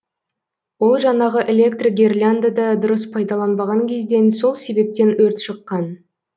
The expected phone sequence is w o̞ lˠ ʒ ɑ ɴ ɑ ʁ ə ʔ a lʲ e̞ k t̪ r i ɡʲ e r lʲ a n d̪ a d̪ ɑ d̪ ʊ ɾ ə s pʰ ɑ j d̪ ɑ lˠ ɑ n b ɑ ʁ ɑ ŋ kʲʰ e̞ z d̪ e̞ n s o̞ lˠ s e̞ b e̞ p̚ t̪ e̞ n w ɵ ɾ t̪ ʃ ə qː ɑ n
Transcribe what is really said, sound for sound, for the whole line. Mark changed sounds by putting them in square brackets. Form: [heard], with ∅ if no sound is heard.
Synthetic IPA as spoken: w o̞ lˠ ʒ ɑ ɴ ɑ ʁ ə ʔ [e] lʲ e̞ k t̪ r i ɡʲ e r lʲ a n d̪ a d̪ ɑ d̪ ʊ ɾ ə s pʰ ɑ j d̪ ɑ lˠ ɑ n b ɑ ʁ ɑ ŋ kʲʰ e̞ z d̪ e̞ n s o̞ lˠ s e̞ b e̞ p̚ t̪ e̞ n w ɵ ɾ t̪ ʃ ə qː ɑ n